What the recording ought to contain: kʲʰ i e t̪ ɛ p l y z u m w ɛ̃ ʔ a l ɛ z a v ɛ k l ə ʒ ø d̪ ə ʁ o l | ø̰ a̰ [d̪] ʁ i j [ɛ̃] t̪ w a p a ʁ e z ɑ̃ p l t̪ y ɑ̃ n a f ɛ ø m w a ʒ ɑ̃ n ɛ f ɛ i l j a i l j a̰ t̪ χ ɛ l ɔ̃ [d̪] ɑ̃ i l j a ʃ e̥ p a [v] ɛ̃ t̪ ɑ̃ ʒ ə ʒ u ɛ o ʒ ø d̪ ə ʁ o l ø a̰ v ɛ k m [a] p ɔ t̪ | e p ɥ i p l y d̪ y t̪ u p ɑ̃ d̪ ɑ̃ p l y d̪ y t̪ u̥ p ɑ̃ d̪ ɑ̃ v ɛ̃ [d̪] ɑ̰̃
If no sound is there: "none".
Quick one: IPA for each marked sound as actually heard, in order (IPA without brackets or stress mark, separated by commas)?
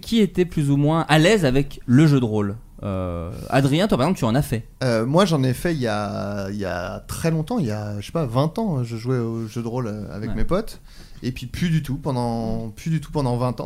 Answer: d̪, ɛ̃, t̪, v, e, t̪